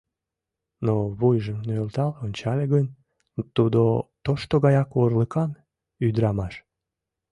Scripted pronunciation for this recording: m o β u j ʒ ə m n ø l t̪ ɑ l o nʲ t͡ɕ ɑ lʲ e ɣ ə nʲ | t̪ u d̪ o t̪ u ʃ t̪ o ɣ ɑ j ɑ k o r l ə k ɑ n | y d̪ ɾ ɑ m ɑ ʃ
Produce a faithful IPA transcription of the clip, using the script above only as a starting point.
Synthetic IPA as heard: n o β u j ʒ ə m n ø l t̪ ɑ l o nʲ t͡ɕ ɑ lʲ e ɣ ə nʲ | t̪ u d̪ o t̪ o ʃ t̪ o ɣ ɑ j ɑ k o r l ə k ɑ n | y d̪ ɾ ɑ m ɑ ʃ